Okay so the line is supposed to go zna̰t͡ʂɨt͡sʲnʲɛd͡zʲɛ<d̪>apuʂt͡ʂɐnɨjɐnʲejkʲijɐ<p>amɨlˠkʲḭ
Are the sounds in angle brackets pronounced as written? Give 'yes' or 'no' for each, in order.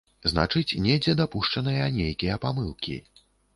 yes, yes

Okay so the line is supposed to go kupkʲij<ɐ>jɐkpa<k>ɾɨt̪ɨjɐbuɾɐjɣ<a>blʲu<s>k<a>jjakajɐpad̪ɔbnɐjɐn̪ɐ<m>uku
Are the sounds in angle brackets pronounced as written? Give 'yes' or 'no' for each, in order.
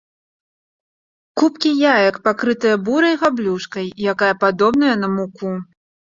no, yes, yes, no, no, yes

